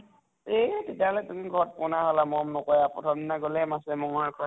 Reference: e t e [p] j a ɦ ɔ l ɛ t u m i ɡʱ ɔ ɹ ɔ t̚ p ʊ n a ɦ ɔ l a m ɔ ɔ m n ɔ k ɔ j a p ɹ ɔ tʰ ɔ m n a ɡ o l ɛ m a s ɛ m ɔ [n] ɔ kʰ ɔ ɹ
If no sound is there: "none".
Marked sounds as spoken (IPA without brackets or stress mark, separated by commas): t, ŋ